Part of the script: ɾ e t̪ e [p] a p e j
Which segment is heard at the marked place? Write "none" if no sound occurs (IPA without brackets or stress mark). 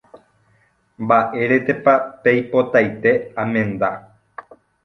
p